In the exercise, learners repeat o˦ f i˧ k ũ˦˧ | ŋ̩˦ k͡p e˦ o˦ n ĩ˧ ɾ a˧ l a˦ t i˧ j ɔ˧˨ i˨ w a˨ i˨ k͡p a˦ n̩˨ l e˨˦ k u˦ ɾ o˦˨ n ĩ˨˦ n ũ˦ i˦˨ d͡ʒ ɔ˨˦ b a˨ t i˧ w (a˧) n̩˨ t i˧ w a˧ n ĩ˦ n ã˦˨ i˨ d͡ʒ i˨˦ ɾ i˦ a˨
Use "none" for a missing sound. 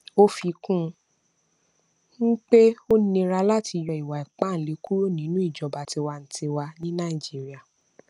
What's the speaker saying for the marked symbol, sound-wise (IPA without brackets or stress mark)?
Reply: a˧